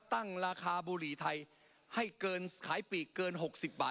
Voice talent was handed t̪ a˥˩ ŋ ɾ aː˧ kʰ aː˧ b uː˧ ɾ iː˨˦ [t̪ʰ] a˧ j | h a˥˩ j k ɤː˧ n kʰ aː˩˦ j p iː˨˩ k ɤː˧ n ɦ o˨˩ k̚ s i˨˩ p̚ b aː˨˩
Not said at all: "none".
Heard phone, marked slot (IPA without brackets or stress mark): t̪ʰ